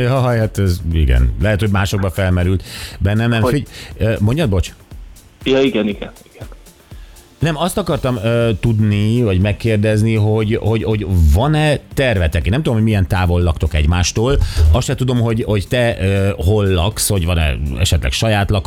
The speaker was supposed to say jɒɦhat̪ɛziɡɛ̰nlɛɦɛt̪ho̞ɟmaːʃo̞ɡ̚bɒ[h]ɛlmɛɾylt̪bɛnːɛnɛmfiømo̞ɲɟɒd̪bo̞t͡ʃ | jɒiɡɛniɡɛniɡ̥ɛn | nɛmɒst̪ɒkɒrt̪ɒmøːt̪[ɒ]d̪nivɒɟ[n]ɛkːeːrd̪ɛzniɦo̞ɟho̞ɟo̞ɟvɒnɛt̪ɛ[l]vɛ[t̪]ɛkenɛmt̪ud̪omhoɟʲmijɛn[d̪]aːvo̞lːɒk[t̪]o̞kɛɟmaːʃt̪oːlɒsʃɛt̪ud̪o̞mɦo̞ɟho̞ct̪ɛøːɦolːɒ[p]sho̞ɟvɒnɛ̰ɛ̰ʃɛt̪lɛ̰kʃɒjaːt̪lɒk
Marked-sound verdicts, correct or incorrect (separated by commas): incorrect, incorrect, incorrect, incorrect, correct, incorrect, correct, incorrect